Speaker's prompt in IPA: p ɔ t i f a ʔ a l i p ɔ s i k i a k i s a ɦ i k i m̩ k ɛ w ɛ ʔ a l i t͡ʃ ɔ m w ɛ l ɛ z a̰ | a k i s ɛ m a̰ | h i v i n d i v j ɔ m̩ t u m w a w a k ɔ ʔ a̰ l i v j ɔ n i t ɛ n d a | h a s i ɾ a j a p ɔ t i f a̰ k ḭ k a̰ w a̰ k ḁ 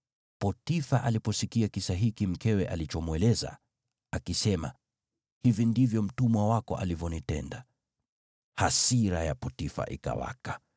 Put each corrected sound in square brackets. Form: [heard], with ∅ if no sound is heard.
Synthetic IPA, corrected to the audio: p ɔ t i f a ʔ a l i p ɔ s i k i a k i s a ɦ i k i m̩ k ɛ w ɛ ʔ a l i t͡ʃ ɔ m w ɛ l ɛ z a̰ | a k i s ɛ m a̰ | h i v i n d i v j ɔ m̩ t u m w a w a k ɔ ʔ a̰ l i v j ɔ n i t ɛ n d a | h a s i ɾ a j a p ɔ t i f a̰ [ʔ] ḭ k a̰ w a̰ k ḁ